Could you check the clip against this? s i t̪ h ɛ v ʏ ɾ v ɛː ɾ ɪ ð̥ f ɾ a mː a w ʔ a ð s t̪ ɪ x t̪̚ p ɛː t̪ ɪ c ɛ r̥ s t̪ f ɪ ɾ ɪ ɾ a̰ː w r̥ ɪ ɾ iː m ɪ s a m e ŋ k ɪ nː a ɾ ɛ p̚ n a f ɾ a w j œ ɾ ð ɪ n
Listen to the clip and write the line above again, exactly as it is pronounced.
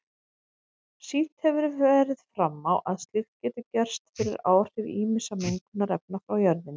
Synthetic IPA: s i t̪ h ɛ v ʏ ɾ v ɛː ɾ ɪ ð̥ f ɾ a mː a w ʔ a ð s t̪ ɪ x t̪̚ c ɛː t̪ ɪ c ɛ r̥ s t̪ f ɪ ɾ ɪ ɾ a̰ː w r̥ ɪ ɾ iː m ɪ s a m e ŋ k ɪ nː a ɾ ɛ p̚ n a f ɾ a w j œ ɾ ð ɪ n